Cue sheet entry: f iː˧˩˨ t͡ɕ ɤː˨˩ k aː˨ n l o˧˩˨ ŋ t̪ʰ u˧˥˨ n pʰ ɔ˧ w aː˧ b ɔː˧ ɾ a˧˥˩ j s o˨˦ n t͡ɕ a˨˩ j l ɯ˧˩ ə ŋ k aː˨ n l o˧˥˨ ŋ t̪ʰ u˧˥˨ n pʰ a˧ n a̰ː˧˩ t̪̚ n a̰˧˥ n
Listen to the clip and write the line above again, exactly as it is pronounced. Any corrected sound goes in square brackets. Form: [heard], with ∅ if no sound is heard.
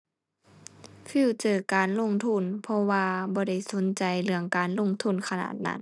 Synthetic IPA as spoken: f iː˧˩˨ t͡ɕ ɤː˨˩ k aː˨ n l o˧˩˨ ŋ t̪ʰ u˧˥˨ n pʰ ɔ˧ w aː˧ b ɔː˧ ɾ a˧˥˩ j s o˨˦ n t͡ɕ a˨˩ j l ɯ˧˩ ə ŋ k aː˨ n l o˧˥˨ ŋ t̪ʰ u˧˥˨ n [kʰ] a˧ n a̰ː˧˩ t̪̚ n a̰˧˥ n